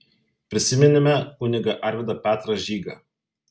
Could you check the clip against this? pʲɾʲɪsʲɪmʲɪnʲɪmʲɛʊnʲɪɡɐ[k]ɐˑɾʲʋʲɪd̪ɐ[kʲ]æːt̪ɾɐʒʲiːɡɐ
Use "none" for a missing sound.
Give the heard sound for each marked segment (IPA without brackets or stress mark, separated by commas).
ʔ, pʲ